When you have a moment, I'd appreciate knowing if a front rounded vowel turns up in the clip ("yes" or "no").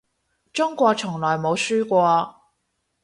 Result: yes